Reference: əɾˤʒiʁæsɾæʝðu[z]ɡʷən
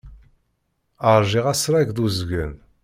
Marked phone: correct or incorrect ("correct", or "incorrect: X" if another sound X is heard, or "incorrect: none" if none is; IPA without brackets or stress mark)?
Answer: correct